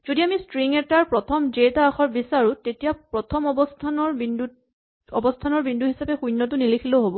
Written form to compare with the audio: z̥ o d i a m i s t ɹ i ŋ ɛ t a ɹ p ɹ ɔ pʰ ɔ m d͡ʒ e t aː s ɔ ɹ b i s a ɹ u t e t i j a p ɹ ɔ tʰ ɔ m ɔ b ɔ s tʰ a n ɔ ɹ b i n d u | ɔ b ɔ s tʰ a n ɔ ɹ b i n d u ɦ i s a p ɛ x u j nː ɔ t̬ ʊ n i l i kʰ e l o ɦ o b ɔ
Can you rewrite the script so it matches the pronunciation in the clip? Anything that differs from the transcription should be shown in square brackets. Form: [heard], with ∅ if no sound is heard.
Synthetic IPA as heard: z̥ o d i a m i s t ɹ i ŋ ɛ t a ɹ p ɹ ɔ [tʰ] ɔ m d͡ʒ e t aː [x] ɔ ɹ b i s a ɹ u t e t i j a p ɹ ɔ tʰ ɔ m ɔ b ɔ s tʰ a n ɔ ɹ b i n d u | ɔ b ɔ s tʰ a n ɔ ɹ b i n d u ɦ i s a p ɛ x u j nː ɔ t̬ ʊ n i l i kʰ [i] l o ɦ o b ɔ